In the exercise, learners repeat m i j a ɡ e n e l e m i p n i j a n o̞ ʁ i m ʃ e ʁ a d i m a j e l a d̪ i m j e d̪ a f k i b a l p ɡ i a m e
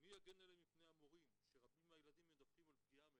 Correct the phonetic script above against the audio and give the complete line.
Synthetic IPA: m i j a ɡ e n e l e m i p n e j a m o̞ ʁ i m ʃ e ʁ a b i m a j e l a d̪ i m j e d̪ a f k i m a l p ɡ i a m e